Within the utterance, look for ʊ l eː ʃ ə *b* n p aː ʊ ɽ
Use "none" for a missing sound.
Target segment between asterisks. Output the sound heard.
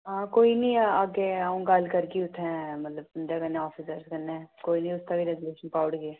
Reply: none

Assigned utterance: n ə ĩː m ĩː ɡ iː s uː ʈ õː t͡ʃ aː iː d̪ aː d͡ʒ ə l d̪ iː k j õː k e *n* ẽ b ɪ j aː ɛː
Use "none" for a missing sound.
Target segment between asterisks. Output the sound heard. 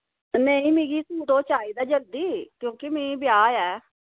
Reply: m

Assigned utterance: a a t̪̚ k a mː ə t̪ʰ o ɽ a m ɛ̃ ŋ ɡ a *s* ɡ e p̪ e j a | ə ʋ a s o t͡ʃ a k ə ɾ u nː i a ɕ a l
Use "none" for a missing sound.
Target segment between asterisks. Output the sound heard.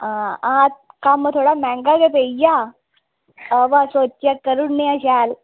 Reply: none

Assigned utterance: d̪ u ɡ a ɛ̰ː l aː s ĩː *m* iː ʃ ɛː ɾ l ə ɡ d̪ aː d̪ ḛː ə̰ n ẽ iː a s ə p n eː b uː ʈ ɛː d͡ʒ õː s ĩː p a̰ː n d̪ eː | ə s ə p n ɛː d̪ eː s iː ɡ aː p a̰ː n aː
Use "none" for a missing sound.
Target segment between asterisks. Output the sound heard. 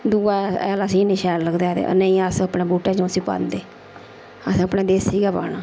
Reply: n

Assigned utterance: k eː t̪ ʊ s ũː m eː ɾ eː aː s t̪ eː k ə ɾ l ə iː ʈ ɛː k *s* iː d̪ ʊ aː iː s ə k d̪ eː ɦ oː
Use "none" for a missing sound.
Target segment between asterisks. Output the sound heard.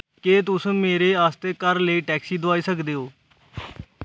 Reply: s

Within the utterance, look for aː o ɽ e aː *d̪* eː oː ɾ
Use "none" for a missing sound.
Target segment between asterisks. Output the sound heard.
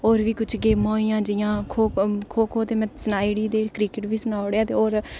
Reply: t̪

